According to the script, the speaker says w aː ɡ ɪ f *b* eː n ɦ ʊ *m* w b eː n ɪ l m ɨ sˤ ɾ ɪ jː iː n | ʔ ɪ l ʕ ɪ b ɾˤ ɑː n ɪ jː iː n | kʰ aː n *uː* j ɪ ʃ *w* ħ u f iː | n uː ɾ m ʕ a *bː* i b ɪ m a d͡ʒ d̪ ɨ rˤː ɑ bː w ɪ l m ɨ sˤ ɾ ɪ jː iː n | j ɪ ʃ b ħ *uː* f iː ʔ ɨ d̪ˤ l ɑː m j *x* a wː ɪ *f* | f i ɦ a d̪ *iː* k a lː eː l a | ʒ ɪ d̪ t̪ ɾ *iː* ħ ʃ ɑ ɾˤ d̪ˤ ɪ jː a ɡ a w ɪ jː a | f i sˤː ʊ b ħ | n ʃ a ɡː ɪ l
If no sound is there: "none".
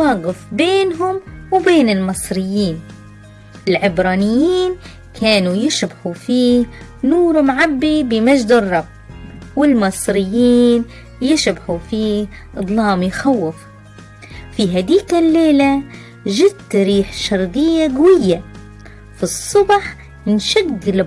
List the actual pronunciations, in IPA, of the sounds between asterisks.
b, m, u, b, bː, u, x, f, iː, iː

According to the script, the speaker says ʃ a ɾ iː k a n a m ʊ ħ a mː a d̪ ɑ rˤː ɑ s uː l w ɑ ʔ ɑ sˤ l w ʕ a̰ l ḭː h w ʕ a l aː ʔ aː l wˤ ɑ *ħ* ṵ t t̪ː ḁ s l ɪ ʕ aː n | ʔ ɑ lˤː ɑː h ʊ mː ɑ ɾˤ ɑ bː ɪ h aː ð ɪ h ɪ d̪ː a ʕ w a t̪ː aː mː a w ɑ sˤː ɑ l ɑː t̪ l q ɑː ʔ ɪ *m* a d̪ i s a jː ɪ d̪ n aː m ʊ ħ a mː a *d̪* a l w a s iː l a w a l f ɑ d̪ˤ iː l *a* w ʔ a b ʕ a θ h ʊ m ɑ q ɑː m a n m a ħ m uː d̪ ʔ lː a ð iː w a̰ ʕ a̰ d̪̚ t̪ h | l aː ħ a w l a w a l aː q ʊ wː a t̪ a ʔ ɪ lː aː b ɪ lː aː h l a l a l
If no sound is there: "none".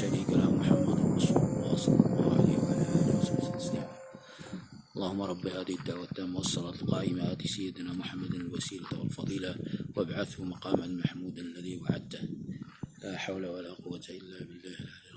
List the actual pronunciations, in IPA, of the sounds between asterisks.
s, m, d̪, a

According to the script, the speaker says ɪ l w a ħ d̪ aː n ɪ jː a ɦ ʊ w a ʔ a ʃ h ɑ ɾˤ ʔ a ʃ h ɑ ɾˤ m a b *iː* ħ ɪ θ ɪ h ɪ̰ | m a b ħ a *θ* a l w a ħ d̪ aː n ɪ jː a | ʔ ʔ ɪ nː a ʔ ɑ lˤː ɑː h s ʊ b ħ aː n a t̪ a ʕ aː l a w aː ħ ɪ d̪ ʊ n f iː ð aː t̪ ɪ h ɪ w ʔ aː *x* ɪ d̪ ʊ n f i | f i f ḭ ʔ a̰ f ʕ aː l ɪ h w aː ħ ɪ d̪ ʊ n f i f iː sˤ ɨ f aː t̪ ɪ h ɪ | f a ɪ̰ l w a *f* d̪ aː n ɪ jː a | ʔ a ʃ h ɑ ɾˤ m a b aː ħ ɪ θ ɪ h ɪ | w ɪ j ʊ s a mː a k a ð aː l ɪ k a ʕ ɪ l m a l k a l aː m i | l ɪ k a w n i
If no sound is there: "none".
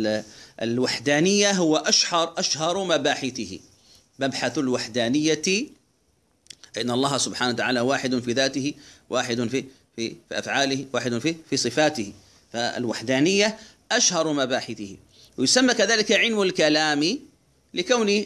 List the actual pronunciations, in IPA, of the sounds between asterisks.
aː, θ, ħ, ħ

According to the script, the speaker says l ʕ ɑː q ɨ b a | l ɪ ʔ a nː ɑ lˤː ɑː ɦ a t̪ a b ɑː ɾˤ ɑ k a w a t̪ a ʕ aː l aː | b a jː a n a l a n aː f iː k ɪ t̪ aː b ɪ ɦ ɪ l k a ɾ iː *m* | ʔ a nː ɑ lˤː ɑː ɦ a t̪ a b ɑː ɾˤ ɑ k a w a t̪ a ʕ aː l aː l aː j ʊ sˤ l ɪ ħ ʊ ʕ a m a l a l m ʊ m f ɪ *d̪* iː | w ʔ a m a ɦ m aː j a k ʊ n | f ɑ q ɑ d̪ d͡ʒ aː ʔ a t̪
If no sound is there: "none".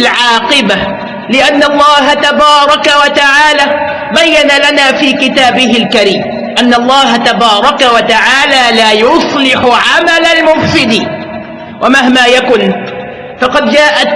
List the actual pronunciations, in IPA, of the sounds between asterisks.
m, d̪

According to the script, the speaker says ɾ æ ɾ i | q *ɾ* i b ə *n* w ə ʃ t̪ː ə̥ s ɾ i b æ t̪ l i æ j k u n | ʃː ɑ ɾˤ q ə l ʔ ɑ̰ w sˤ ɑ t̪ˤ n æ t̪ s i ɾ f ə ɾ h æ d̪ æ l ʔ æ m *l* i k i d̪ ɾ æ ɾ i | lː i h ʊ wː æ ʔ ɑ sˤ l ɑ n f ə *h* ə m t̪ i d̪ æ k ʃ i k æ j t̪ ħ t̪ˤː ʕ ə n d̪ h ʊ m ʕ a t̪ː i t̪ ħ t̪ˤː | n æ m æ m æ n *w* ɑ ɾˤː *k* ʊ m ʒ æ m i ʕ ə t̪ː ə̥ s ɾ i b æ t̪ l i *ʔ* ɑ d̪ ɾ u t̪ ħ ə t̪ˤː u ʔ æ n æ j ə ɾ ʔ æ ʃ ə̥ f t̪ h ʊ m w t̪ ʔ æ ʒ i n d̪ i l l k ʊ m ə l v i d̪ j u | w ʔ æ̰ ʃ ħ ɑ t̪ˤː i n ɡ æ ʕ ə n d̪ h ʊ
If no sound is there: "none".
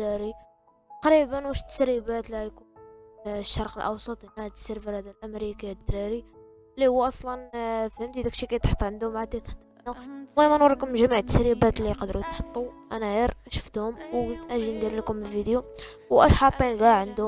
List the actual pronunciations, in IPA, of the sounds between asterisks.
ɾ, n, ɾ, h, w, k, q

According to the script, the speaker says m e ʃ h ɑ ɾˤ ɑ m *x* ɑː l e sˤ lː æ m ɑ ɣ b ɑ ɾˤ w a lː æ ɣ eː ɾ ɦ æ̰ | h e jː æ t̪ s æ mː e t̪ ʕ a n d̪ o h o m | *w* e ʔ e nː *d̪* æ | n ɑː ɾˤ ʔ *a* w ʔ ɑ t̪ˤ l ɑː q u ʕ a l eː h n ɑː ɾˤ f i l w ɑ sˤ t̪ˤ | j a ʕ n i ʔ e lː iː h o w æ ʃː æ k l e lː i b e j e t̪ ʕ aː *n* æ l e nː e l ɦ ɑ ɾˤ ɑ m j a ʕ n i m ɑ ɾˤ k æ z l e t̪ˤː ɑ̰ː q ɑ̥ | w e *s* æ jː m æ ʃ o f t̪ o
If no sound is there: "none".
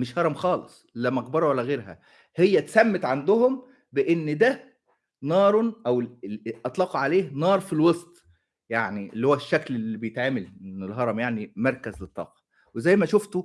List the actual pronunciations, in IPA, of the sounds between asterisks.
x, b, d̪, æ, m, z

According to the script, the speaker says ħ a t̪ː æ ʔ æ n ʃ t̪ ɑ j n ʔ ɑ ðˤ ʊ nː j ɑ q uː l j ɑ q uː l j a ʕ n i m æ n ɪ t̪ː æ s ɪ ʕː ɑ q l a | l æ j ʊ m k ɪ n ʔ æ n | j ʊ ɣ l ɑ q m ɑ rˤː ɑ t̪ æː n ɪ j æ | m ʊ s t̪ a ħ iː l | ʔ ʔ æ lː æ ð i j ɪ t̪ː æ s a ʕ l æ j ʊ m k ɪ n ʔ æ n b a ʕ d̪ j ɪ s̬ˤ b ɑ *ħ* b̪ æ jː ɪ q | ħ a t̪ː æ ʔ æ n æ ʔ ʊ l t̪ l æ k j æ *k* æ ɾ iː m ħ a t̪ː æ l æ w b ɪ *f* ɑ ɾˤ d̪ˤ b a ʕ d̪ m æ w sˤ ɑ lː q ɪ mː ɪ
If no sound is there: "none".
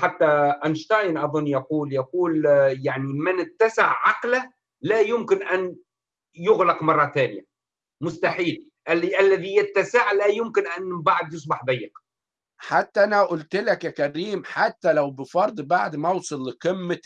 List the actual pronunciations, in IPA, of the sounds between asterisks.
ħ, k, f

